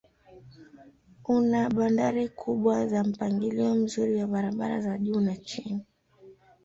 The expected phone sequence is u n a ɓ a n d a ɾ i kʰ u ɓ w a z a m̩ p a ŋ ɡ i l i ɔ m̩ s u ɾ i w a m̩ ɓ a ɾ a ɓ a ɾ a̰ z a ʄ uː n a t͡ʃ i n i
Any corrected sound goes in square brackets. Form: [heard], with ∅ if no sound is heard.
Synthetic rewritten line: u n a ɓ a n d a ɾ i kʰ u ɓ w a z a m̩ p a ŋ ɡ i l i ɔ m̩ [z] u ɾ i w a [∅] ɓ a ɾ a ɓ a ɾ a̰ z a ʄ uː n a t͡ʃ i n i